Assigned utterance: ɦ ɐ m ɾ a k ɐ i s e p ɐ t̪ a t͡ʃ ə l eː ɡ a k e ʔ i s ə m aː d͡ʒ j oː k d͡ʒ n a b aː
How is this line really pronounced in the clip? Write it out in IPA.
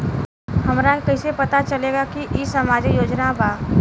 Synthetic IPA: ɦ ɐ m ɾ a k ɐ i s e p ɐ t̪ a t͡ʃ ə l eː ɡ a k i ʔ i s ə m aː d͡ʒ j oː d͡ʒ n a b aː